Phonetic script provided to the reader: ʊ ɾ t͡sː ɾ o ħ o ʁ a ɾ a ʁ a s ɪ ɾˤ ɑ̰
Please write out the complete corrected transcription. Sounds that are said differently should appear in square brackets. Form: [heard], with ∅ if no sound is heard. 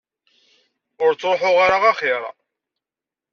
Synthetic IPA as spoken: ʊ ɾ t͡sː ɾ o ħ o ʁ a ɾ a ʁ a [χ] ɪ ɾˤ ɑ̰

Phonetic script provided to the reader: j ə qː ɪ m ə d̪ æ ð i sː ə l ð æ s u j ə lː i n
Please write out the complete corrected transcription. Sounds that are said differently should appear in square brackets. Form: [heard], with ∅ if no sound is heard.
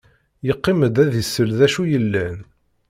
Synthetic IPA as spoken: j ə qː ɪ m ə d̪ æ ð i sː ə l ð æ [ʃ] u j ə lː [æ] n

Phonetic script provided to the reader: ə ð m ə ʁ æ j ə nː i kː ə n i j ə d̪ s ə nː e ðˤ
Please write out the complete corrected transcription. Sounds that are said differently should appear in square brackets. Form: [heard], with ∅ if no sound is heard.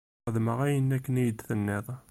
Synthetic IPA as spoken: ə ð m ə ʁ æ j ə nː [æ] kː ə n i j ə d̪ [θ] ə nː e ðˤ

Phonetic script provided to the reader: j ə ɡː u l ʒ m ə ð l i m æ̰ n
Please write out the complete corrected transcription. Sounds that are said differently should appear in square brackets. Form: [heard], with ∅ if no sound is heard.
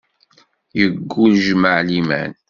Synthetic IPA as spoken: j ə ɡː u l ʒ m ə [ʕ] l i m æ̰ n

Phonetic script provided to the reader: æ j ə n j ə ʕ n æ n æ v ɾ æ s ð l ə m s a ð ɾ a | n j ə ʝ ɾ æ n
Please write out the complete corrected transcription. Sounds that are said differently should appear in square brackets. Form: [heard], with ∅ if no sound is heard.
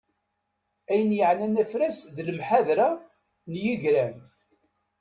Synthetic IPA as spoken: æ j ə n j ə ʕ n æ n æ [f] ɾ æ s ð l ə m [ħ] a ð ɾ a | n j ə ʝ ɾ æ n

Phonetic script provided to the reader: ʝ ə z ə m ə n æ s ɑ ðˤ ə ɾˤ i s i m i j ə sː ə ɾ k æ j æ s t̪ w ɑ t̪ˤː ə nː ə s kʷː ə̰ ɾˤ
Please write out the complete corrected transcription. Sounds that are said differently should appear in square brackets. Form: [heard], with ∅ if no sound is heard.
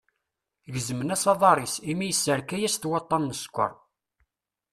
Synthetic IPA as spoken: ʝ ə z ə m ə n æ s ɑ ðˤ [ɑ] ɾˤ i s i m i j ə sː ə ɾ k æ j æ s t̪ w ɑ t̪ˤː [ɑ] nː ə s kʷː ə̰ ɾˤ

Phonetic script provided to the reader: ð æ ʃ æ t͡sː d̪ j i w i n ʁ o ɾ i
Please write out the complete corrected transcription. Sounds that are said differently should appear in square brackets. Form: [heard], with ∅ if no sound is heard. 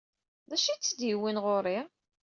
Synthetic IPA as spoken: ð æ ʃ [i] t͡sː d̪ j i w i n ʁ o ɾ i

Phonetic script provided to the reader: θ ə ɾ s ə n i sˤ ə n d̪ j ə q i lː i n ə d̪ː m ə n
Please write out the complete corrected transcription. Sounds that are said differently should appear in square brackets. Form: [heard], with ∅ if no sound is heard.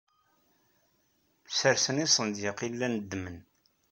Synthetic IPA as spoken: [s] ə ɾ s ə n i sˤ ə n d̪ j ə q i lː [æ] n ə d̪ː m ə n

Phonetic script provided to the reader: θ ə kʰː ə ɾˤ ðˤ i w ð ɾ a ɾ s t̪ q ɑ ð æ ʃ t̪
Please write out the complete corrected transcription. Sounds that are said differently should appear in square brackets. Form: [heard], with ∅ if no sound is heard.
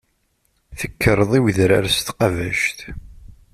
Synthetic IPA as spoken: θ ə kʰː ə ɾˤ ðˤ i w ð ɾ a ɾ s t̪ q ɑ [v] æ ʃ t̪

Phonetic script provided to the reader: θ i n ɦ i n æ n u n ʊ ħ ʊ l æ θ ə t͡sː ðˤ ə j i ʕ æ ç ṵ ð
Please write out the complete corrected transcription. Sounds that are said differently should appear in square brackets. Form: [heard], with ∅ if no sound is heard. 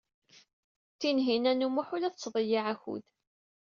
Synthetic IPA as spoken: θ i n ɦ i n æ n u [m] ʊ ħ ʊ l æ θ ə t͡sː ðˤ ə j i ʕ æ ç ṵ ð

